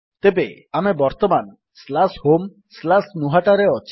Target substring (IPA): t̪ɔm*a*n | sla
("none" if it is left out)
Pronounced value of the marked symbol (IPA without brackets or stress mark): a